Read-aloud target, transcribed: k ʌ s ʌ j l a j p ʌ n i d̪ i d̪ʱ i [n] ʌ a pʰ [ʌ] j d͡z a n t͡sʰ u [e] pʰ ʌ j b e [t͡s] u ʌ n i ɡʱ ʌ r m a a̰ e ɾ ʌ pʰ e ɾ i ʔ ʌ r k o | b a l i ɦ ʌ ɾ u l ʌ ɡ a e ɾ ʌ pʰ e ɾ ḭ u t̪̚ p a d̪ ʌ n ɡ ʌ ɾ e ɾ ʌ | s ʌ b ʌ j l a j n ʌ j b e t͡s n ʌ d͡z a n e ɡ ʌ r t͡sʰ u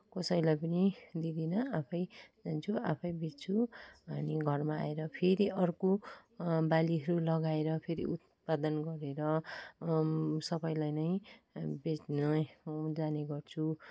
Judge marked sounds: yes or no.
yes, yes, no, no

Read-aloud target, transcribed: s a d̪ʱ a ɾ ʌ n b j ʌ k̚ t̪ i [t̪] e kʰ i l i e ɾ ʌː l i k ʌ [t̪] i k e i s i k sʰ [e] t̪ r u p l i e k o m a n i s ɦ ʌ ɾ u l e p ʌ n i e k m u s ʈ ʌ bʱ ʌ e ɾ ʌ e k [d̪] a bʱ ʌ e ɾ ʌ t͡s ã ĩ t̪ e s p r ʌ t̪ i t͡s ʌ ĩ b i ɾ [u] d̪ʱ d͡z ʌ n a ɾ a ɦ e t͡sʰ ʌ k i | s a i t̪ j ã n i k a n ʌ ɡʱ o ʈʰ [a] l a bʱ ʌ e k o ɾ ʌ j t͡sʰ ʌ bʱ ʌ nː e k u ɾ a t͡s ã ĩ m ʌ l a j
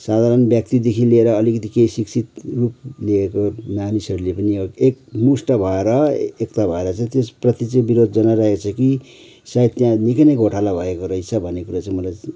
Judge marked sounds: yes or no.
no, yes, no, no, no, yes

